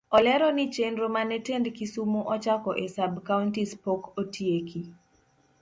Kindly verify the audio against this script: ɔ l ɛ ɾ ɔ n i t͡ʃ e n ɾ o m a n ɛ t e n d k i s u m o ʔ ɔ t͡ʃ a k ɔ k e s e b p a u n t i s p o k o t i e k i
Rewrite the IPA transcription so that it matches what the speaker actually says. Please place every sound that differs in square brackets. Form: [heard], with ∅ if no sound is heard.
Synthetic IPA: ɔ l ɛ ɾ ɔ n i t͡ʃ e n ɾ o m a n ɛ t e n d k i s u m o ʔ ɔ t͡ʃ a k ɔ [ʔ] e s [a] b [k] a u n t i s p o k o t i e k i